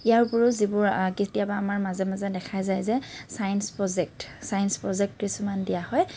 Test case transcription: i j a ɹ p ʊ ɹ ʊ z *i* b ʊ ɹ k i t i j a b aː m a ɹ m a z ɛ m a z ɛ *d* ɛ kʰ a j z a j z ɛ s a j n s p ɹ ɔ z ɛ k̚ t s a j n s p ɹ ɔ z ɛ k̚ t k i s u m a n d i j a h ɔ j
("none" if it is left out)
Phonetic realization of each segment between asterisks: i, d

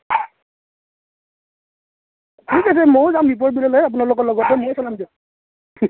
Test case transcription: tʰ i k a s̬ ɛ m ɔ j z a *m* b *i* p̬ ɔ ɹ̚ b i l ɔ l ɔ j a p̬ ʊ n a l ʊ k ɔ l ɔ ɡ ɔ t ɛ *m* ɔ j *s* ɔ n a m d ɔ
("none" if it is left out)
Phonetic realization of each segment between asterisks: m, i, m, s

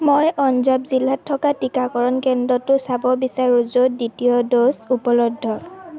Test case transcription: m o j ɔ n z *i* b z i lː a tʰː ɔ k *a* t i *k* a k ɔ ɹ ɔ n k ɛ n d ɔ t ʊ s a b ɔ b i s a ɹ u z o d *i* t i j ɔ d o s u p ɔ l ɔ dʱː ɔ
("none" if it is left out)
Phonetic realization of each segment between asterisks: a, a, k, i

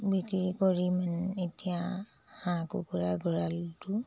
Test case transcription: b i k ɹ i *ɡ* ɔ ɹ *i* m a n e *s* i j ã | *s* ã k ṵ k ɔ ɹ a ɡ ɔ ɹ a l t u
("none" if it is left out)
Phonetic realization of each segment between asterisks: k, i, t, h

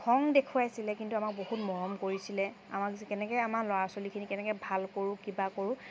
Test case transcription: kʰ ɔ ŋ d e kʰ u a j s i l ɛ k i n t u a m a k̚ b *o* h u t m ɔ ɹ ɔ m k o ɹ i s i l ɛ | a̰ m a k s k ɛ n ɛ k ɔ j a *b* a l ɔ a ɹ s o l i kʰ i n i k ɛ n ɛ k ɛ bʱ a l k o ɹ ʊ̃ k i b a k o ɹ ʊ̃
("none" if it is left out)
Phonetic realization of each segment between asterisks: o, m

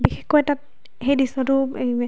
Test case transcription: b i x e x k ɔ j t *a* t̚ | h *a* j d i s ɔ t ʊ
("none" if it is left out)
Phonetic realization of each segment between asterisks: a, e

